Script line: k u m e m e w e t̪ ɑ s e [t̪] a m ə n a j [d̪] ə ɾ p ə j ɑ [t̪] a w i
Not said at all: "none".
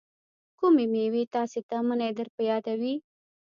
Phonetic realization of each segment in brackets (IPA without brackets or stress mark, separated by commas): t̪, d̪, d̪